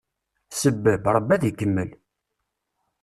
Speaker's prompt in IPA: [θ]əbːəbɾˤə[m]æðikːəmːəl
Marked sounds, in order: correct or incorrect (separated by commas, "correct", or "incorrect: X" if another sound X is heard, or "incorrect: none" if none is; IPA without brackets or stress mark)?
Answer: incorrect: s, incorrect: b